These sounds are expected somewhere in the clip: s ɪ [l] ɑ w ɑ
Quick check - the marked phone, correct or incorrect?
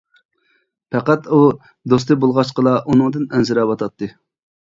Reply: incorrect